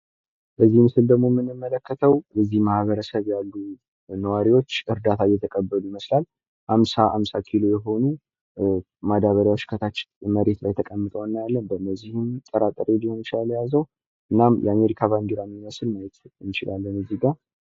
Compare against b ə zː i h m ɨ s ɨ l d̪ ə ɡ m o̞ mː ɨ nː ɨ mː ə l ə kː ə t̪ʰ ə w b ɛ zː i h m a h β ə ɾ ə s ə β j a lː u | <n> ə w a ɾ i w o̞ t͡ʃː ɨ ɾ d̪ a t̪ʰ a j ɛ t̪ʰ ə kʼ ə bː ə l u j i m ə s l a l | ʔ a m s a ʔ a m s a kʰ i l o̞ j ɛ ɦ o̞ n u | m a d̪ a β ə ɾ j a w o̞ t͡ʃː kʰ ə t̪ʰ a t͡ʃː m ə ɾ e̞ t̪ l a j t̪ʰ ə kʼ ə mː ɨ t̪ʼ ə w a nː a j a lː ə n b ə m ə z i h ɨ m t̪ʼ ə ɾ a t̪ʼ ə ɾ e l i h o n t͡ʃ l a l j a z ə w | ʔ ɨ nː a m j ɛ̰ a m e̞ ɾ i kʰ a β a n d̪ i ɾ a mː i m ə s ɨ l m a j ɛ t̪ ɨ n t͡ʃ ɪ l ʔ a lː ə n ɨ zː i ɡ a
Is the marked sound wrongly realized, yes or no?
no